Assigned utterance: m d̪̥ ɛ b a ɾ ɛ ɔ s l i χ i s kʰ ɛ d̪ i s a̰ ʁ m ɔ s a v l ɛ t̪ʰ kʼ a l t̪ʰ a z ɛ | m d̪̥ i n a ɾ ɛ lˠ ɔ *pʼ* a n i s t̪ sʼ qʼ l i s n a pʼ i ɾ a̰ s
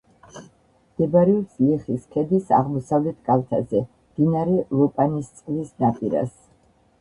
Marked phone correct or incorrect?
correct